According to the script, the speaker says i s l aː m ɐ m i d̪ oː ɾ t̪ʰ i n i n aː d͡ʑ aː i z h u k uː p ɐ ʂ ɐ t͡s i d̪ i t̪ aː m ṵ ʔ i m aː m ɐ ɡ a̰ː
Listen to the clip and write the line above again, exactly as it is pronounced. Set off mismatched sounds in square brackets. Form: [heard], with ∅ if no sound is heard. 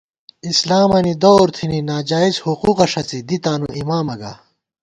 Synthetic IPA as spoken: i s l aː m ɐ [n] i d̪ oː ɾ t̪ʰ i n i n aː d͡ʑ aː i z h u [q] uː [q] ɐ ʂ ɐ t͡s i d̪ i t̪ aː [n] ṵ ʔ i m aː m ɐ ɡ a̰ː